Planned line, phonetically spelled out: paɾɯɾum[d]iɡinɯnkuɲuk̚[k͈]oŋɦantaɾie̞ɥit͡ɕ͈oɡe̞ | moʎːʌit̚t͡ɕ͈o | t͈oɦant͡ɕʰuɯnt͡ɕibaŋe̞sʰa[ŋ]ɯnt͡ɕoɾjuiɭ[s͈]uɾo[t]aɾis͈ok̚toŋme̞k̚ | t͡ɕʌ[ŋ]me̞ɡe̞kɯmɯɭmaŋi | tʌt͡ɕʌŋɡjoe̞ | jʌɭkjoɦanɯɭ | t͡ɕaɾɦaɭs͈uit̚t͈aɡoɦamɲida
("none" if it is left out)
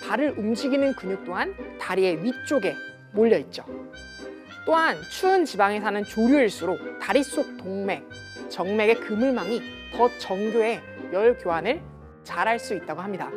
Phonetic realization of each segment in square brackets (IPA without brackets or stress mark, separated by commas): d͡ʑ, t͈, n, s͈, t, ŋ